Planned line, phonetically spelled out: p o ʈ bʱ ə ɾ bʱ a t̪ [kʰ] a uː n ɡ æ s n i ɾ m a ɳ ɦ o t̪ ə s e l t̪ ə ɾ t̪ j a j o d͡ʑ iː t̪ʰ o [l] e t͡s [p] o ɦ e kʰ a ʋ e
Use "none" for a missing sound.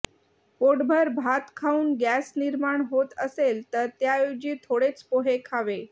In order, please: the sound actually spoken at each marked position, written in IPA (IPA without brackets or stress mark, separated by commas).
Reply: kʰ, ɽ, p